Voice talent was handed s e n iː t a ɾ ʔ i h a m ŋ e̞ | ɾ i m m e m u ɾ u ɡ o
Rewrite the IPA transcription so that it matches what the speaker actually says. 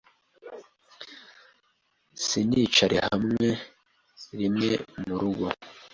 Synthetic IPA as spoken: s i n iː t͡ʃ a ɾ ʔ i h a m ŋ e̞ | ɾ i m ŋ e m u ɾ u ɡ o

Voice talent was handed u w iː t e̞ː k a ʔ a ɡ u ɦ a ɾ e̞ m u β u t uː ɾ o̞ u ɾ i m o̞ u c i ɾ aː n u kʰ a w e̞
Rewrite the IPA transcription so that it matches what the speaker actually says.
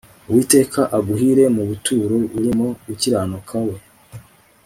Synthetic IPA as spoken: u w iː t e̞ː k a ʔ a ɡ u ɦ i ɾ e̞ m u β u t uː ɾ o̞ u ɾ i m o̞ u c i ɾ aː n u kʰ a w e̞

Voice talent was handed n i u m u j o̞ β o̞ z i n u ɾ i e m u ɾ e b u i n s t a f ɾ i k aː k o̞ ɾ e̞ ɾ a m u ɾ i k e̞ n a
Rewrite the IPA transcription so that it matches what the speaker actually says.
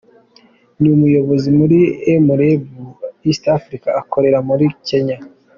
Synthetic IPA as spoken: n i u m u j o̞ β o̞ z i m u ɾ i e m u ɾ e b u i s t a f ɾ i k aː k o̞ ɾ e̞ ɾ a m u ɾ i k e̞ ɲ a

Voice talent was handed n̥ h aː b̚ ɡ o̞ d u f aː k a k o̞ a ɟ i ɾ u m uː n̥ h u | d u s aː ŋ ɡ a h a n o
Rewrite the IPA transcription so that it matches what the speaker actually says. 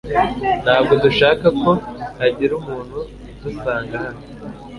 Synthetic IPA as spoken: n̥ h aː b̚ ɡ o̞ d u ʃ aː k a k o̞ a ɟ i ɾ u m uː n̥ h u | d u s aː ŋ ɡ a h a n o

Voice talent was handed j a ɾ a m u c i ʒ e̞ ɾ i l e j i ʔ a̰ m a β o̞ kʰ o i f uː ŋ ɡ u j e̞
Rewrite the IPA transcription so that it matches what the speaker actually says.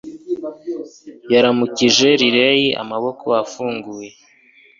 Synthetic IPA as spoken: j a ɾ a m u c i ʒ e̞ ɾ i ɾ e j i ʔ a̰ m a β o̞ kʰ o a f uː ŋ ɡ u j e̞

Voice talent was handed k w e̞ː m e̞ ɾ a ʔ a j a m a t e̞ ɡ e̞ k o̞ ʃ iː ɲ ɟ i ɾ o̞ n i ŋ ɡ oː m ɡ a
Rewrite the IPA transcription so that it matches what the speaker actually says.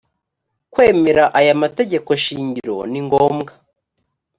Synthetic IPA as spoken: k w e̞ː m e̞ ɾ a ʔ a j a m a t e̞ ɟ e̞ k o̞ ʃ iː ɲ ɟ i ɾ o̞ n i ŋ ɡ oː m ɡ a

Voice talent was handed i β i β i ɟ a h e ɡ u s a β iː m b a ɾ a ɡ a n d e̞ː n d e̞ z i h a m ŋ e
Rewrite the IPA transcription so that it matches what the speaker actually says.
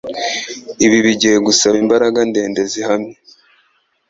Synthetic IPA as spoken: i β i β i ɟ i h e ɡ u s a β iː m b a ɾ a ɡ a n d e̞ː n d e̞ z i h a m ɲ e

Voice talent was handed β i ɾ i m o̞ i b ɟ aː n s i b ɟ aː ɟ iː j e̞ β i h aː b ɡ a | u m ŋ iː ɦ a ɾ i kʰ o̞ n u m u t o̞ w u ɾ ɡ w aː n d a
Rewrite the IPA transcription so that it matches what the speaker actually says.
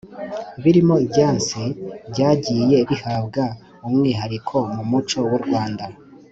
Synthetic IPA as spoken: β i ɾ i m o̞ i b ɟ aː n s i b ɟ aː ɟ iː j e̞ β i h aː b ɡ a | u m ŋ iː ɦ a ɾ i kʰ o̞ m u m u t͡ʃ o̞ w u ɾ ɡ w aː n d a

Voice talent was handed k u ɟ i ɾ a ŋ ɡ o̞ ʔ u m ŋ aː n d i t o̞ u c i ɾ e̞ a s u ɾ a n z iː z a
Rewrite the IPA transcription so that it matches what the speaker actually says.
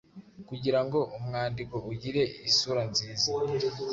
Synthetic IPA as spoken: k u ɟ i ɾ a ŋ ɡ o̞ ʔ u m ŋ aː n d i k o̞ u ɟ i ɾ e̞ i s u ɾ a n z iː z a

